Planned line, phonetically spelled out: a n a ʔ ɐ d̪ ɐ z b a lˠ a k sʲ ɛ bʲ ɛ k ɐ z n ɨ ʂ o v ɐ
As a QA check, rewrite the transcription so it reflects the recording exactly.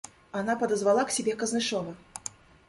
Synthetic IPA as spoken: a n a p ɐ d̪ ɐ z v a lˠ a k sʲ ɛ bʲ ɛ k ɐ z n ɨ ʂ ɔ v ɐ